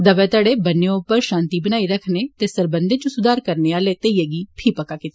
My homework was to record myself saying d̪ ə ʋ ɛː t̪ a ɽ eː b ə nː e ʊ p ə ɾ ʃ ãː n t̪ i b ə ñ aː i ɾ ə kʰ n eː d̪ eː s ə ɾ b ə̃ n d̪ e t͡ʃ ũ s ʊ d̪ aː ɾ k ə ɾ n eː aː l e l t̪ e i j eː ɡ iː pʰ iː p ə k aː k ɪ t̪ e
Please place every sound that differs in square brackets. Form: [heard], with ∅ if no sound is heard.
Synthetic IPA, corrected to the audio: d̪ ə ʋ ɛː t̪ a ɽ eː b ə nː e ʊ p ə ɾ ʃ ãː n t̪ i b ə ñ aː i ɾ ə kʰ n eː [t̪] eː s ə ɾ b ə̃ n d̪ e t͡ʃ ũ s ʊ d̪ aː ɾ k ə ɾ n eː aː l e [∅] t̪ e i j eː ɡ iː pʰ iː p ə k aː k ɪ t̪ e